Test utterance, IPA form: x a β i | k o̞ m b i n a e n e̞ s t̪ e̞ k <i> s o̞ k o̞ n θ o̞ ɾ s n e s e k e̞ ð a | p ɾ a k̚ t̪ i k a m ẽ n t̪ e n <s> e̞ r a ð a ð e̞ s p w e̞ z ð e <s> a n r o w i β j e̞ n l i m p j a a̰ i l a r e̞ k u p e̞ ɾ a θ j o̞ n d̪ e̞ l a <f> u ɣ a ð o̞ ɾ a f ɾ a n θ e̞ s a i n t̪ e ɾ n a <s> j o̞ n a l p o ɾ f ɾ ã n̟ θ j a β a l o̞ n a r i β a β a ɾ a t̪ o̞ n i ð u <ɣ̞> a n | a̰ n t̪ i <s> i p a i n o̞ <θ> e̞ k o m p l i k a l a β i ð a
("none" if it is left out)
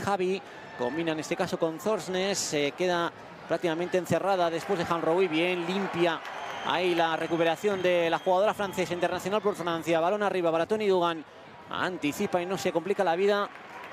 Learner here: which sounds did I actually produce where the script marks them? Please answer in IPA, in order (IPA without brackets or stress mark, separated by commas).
a, θ, x, x, θ, ɣ̞, θ, s